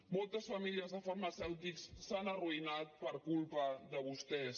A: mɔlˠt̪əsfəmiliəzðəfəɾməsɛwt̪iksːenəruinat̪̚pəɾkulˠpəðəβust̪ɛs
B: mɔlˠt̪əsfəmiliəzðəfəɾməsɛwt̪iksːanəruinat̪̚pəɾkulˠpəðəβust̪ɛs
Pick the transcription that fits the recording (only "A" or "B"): B